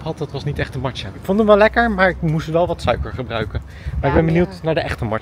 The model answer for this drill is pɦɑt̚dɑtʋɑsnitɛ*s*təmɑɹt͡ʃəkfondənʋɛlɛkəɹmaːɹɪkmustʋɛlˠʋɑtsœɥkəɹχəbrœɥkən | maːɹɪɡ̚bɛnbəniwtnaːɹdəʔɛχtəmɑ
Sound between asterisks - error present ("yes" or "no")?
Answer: yes